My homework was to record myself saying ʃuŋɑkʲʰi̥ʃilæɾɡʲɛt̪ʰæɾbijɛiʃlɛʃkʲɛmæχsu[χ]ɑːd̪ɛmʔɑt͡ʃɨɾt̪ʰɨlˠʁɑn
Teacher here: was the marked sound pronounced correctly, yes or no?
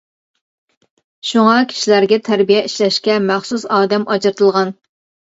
no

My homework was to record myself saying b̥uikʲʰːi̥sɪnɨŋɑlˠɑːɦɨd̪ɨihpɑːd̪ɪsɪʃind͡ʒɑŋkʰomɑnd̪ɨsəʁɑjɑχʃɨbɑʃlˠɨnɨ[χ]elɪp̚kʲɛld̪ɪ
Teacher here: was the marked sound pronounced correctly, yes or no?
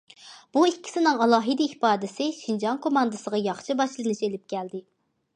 no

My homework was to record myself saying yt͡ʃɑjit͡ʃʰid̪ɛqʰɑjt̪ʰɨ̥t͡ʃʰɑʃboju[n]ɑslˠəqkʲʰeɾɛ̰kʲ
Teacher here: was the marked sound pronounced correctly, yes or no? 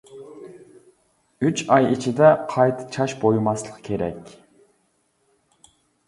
no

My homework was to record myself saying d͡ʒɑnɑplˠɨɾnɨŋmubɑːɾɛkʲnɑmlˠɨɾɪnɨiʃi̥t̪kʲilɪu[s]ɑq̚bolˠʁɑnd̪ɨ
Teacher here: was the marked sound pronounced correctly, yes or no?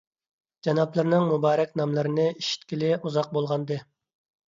no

